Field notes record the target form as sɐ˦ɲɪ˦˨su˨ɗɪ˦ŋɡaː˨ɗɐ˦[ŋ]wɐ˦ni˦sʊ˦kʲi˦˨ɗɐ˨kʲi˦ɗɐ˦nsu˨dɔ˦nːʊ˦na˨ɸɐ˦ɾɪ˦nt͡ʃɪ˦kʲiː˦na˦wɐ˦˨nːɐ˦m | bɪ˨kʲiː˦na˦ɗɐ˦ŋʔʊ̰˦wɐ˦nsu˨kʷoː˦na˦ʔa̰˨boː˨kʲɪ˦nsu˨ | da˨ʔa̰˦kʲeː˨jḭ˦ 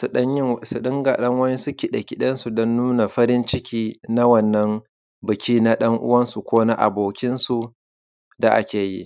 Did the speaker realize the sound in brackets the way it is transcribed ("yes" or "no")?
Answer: yes